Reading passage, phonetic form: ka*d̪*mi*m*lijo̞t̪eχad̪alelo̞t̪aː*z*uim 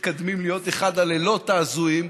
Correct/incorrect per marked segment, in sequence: correct, correct, correct

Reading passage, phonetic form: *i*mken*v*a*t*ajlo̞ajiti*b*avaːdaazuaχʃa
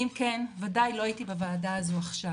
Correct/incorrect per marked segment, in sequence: correct, correct, incorrect, correct

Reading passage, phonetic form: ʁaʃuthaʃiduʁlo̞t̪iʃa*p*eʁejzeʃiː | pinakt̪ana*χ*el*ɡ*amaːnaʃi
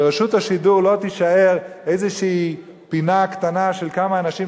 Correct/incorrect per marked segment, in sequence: incorrect, incorrect, incorrect

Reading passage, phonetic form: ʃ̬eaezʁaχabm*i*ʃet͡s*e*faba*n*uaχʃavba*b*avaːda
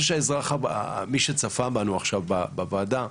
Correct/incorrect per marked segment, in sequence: correct, incorrect, correct, correct

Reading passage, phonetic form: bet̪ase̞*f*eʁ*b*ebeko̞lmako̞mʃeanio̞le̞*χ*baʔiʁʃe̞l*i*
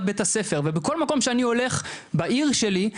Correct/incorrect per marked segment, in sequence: correct, incorrect, correct, correct

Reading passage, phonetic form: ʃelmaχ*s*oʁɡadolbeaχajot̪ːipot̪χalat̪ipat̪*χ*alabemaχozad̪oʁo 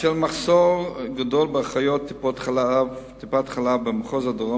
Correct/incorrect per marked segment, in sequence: correct, correct

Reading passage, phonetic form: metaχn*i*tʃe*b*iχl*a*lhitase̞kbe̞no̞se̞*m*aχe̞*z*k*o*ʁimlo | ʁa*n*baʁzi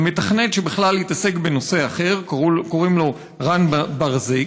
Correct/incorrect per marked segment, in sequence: incorrect, correct, correct, incorrect, incorrect, correct, correct

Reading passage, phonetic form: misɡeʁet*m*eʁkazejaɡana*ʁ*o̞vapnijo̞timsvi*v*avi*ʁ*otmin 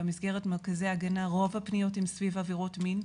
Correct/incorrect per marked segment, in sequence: correct, correct, correct, correct

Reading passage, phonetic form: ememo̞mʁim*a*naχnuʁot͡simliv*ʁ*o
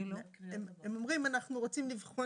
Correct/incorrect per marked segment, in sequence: correct, incorrect

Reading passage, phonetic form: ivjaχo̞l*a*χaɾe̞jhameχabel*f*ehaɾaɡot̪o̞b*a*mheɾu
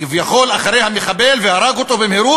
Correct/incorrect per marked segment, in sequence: correct, incorrect, incorrect

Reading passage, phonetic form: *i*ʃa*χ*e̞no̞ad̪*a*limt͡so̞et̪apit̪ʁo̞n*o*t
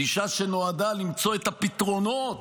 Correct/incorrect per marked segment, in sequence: correct, incorrect, correct, correct

